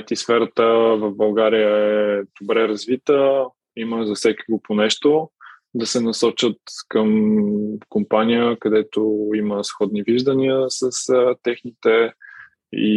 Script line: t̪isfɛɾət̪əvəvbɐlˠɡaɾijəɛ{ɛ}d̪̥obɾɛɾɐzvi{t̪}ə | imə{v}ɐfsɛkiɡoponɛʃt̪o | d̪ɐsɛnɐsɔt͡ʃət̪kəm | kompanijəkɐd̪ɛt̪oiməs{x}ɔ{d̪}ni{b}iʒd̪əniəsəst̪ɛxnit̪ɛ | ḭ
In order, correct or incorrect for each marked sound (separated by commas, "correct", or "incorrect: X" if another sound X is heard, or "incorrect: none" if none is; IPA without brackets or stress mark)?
correct, correct, incorrect: z, correct, correct, incorrect: v